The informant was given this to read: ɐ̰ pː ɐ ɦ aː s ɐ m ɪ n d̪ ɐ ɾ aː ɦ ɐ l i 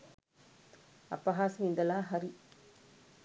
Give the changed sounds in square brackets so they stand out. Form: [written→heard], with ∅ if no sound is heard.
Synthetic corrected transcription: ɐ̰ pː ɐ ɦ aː s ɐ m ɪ n d̪ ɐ [ɾ→l] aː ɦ ɐ [l→ɾ] i